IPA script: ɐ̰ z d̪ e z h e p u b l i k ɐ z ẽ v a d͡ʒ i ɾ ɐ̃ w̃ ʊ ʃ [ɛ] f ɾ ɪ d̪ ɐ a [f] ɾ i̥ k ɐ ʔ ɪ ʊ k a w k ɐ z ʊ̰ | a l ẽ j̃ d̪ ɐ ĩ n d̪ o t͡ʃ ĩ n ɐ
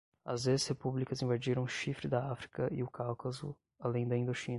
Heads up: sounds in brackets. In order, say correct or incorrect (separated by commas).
incorrect, correct